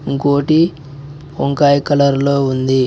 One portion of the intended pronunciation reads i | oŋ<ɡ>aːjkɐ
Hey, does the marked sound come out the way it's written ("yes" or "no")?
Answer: no